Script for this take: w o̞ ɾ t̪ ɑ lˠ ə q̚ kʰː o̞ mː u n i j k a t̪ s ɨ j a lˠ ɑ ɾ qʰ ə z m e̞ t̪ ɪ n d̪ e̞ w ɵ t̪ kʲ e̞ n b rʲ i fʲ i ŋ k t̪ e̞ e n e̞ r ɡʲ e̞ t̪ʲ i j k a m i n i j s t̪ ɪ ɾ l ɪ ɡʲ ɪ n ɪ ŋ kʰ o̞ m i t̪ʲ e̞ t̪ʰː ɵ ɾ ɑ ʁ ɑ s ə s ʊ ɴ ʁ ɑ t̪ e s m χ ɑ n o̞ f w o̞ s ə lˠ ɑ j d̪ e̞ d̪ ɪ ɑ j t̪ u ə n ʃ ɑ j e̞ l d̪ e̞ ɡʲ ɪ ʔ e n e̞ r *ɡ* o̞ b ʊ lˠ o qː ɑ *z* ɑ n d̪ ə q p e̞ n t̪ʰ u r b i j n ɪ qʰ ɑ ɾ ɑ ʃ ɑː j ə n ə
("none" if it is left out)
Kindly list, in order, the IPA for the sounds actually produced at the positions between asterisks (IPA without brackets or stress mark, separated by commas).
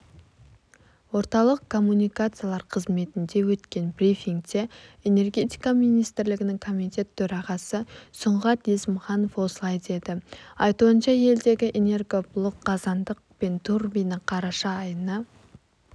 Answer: ɡ, z